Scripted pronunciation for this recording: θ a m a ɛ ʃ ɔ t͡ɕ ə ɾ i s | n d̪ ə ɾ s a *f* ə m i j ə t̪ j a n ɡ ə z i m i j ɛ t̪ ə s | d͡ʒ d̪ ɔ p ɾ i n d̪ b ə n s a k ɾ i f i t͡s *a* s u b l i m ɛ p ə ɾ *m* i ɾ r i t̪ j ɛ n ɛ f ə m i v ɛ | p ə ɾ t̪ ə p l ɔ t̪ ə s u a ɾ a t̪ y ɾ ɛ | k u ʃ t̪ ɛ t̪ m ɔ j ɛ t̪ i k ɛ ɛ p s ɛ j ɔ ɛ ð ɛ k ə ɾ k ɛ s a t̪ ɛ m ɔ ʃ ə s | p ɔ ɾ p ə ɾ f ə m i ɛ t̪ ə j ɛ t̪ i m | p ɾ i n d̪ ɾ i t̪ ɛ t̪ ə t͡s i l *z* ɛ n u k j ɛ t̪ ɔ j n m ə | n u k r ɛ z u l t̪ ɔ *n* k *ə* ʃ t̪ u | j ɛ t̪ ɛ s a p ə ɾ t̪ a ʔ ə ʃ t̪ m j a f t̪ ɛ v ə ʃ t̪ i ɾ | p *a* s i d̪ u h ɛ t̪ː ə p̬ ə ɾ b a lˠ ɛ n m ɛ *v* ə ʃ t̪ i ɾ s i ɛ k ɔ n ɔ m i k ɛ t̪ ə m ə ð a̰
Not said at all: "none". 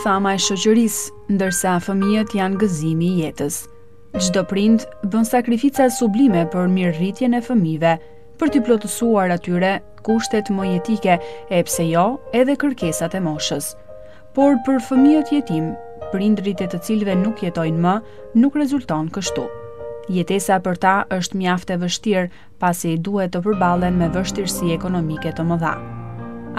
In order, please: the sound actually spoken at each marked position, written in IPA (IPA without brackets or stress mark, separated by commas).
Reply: f, a, m, v, n, ə, a, v